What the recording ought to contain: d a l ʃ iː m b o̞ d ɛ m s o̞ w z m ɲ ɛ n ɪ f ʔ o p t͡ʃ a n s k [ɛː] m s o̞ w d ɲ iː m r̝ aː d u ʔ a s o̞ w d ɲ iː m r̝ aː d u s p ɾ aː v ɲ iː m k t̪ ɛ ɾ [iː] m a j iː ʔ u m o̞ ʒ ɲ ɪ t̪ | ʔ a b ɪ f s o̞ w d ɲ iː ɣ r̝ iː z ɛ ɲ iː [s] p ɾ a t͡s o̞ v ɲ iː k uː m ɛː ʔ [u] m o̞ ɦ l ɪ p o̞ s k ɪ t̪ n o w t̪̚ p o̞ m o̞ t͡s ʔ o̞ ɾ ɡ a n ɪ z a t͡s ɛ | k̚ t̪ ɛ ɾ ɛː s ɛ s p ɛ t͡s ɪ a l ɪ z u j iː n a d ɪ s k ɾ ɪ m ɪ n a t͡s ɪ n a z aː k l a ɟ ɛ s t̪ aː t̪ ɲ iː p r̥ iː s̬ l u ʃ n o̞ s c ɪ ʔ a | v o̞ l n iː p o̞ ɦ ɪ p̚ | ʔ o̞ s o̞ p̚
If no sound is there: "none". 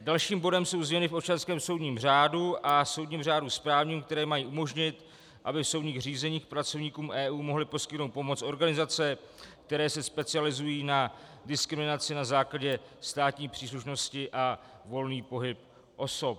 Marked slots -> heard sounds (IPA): ɛː, ɛː, x, uː

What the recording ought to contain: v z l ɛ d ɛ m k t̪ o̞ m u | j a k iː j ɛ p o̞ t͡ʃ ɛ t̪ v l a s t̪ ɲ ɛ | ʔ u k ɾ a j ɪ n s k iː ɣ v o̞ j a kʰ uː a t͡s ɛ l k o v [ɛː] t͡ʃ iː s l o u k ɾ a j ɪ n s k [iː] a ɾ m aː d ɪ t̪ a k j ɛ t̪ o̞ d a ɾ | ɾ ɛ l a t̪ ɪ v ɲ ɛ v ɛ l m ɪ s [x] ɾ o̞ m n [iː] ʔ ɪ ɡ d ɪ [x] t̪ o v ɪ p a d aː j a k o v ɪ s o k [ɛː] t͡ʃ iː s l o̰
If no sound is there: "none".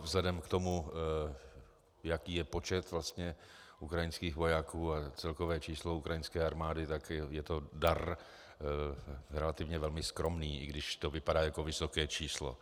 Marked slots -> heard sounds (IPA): ɛː, ɛː, k, iː, ʃ, ɛː

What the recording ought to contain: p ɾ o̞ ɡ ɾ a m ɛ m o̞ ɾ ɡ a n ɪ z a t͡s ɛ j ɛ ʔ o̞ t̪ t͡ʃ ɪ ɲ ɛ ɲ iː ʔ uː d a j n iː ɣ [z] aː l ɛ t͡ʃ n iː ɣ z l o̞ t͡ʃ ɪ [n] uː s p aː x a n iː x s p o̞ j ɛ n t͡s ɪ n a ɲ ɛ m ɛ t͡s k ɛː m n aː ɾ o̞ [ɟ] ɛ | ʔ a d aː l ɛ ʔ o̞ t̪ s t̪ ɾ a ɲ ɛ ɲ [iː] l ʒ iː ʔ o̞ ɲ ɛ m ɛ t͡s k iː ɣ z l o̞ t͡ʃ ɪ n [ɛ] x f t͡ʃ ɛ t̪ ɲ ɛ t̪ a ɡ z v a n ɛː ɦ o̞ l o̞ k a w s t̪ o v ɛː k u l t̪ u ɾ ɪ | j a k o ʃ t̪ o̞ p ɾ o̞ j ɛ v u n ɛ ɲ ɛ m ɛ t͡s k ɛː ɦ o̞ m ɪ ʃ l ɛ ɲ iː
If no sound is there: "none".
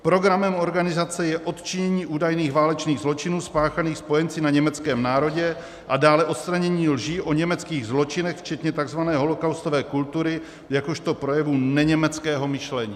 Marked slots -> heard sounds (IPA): v, n, ɟ, iː, ɛ

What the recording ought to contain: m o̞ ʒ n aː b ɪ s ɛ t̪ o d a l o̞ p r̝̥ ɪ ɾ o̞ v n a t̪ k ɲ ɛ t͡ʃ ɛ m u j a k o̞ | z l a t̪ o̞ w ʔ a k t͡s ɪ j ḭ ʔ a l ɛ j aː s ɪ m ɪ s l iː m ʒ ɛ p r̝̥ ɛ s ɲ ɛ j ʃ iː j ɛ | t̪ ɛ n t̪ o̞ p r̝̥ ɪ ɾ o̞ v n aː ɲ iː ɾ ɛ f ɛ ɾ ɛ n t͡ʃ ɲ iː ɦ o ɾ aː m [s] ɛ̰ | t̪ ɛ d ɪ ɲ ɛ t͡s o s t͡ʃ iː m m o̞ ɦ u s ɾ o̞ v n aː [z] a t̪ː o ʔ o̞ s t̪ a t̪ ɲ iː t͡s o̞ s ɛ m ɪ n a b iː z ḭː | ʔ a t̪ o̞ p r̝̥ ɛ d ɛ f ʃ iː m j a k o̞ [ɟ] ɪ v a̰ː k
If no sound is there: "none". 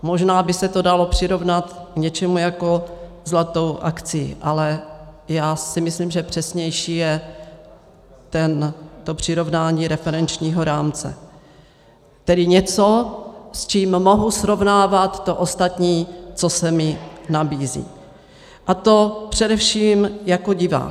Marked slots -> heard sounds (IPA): t͡s, v, ɟ

